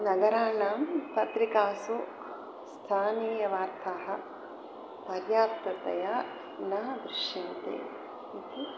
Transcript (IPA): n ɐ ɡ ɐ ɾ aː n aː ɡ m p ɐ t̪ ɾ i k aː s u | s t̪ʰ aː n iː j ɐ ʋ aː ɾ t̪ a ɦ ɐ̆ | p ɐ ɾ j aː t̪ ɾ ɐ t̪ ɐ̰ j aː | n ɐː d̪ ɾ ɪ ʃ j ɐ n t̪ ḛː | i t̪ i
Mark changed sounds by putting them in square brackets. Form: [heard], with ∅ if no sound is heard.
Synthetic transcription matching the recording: n ɐ ɡ ɐ ɾ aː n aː [∅] m p ɐ t̪ ɾ i k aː s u | s t̪ʰ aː n iː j ɐ ʋ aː ɾ [t̪ʰ] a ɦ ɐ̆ | p ɐ ɾ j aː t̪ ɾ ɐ t̪ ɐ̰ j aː | n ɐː d̪ ɾ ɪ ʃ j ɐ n t̪ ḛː | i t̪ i